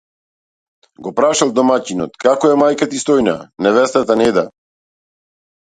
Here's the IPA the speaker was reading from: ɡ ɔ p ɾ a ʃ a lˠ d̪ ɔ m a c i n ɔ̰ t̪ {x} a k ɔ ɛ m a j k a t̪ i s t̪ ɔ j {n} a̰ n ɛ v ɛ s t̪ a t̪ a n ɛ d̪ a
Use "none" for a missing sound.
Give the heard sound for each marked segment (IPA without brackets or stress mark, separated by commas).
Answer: k, n